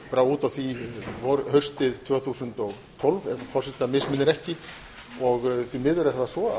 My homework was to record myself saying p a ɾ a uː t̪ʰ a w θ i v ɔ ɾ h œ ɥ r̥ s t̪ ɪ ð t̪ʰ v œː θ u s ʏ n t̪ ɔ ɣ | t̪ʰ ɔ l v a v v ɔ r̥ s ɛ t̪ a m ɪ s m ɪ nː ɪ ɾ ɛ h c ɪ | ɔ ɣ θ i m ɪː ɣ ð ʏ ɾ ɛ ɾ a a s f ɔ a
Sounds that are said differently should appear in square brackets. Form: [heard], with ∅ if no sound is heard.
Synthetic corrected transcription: p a ɾ a uː [t̪] a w θ i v ɔ ɾ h œ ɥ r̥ s t̪ ɪ ð t̪ʰ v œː θ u s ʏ n t̪ ɔ ɣ | t̪ʰ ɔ l v [ɛ] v [f] ɔ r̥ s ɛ t̪ a m ɪ s m ɪ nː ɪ ɾ ɛ h c ɪ | ɔ ɣ θ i m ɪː [∅] ð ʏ ɾ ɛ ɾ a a s [v] ɔ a